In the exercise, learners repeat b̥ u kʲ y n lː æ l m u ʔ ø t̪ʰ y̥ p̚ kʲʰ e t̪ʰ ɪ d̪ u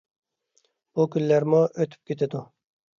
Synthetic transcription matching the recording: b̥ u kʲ y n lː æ ɾ m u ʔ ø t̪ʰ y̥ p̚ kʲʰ e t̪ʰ ɪ d̪ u